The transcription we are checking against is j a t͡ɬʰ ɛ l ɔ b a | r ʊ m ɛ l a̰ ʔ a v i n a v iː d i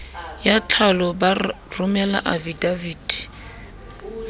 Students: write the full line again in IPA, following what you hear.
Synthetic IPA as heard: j a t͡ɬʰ a l ɔ b a | r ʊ m ɛ l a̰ ʔ a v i d a v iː d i